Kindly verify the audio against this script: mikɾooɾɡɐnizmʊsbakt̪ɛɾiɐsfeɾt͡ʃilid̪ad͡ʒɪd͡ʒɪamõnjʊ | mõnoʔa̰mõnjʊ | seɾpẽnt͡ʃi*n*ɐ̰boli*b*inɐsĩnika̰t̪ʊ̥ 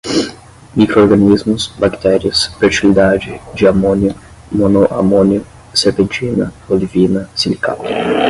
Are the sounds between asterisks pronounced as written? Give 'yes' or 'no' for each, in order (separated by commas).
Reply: yes, no